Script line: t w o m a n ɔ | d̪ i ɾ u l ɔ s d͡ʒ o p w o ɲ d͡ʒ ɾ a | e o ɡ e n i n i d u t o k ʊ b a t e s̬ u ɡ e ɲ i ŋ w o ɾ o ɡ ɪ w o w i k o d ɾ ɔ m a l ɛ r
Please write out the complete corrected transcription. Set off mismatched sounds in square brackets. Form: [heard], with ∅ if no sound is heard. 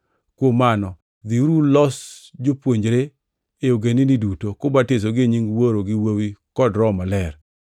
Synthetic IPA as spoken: [k] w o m a n ɔ | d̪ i ɾ u l ɔ s d͡ʒ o p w o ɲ d͡ʒ ɾ [e] | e o ɡ e n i n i d u t o k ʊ b a t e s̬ [o] ɡ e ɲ i ŋ w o ɾ o ɡ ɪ w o w i k [ɔ] d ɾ ɔ m a l ɛ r